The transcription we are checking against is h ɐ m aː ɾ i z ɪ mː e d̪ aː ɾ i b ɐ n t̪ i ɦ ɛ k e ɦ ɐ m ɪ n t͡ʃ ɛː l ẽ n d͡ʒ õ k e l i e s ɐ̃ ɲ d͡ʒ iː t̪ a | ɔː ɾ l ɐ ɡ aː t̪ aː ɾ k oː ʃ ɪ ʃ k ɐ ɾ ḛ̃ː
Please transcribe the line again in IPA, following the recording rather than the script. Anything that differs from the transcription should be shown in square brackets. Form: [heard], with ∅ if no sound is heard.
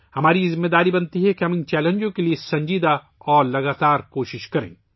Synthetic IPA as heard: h ɐ m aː ɾ i z ɪ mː e d̪ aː ɾ i b ɐ n t̪ i ɦ ɛ k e ɦ ɐ m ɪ n t͡ʃ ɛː l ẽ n d͡ʒ õ k e l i e s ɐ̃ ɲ d͡ʒ iː [d̪] a | ɔː ɾ l ɐ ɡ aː t̪ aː ɾ k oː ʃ ɪ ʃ k ɐ ɾ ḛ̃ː